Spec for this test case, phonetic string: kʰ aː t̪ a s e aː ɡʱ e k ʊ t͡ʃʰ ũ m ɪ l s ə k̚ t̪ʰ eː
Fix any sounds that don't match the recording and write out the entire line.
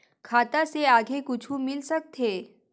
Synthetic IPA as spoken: kʰ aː t̪ a s e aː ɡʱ e k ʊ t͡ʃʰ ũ m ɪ l s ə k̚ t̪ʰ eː